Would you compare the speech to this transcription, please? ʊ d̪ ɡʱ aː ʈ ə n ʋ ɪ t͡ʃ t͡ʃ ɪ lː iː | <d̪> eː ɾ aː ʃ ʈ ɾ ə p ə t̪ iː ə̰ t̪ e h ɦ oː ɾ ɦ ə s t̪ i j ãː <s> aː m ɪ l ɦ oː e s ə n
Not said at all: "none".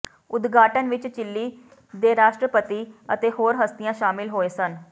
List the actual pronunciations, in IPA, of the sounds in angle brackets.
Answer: d̪, ʃ

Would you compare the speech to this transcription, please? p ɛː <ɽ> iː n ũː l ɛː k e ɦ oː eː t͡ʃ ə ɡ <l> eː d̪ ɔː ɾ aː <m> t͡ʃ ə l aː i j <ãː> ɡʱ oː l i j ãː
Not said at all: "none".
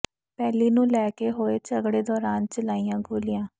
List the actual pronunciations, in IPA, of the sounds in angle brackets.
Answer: l, ɽ, n, ãː

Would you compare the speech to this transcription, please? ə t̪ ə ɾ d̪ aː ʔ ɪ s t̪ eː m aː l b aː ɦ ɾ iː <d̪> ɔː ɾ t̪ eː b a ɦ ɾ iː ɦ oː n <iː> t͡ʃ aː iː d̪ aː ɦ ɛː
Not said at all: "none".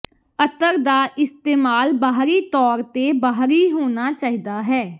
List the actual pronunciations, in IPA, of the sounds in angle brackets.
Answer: t̪, aː

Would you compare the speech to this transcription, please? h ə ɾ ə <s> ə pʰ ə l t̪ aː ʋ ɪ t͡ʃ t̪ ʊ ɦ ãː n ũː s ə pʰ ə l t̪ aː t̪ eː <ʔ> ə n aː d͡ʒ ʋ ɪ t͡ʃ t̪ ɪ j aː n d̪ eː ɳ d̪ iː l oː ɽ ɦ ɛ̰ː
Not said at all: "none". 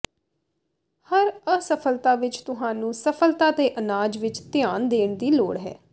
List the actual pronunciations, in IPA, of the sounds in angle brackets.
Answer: s, ʔ

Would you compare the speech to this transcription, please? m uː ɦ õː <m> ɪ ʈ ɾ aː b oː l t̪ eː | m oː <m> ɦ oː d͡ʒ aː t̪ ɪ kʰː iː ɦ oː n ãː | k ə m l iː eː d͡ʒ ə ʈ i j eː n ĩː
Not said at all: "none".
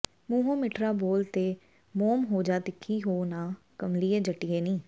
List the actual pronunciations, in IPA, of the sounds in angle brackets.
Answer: m, m

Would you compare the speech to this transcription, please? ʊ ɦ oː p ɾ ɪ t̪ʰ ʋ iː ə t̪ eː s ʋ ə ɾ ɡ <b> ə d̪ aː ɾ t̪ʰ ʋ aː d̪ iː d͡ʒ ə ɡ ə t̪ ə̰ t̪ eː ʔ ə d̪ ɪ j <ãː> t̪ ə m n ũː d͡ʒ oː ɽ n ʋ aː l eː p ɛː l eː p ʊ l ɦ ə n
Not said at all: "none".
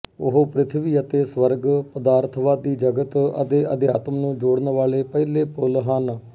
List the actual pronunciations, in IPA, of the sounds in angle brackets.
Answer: p, aː

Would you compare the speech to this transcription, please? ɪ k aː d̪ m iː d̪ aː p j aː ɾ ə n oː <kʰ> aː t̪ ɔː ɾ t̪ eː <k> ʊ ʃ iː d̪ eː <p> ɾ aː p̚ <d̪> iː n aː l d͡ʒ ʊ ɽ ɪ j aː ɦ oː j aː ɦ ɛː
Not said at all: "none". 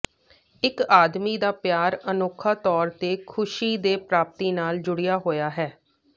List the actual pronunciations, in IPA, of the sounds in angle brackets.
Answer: kʰ, kʰ, p, t̪

